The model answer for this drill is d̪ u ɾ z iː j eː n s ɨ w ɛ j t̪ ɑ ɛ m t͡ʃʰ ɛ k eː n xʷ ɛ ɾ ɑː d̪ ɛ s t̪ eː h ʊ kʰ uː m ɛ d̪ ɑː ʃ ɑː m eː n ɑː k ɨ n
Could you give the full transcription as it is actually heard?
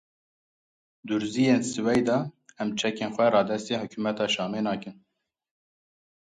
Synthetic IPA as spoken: d̪ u ɾ z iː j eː n s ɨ w ɛ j d̪ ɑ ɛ m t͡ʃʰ ɛ k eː n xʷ ɛ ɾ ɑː d̪ ɛ s t̪ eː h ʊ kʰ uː m ɛ t̪ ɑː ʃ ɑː m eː n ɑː k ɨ n